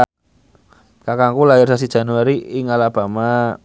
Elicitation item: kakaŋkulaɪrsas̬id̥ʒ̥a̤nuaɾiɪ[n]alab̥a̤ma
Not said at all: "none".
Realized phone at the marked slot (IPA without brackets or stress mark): ŋ